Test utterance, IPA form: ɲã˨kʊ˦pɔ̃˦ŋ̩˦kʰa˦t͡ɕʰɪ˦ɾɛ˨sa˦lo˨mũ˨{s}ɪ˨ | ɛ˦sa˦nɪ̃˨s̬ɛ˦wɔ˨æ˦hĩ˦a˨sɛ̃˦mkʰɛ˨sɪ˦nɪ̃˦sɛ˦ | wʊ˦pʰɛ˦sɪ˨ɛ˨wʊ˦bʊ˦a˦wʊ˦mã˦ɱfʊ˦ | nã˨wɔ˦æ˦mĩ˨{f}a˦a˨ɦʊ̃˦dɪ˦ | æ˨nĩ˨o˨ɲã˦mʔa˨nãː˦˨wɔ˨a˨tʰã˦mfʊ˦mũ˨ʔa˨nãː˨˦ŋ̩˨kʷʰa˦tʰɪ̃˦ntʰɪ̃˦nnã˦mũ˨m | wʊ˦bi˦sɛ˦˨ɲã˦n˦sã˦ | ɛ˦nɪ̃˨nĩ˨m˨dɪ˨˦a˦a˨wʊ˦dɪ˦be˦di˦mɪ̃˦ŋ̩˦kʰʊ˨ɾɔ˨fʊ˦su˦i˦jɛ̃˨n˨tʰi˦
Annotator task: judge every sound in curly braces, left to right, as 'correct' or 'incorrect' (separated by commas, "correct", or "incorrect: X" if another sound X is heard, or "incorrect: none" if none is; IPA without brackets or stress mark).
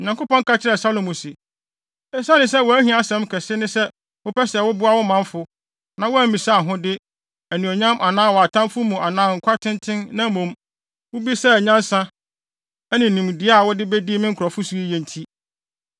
correct, incorrect: s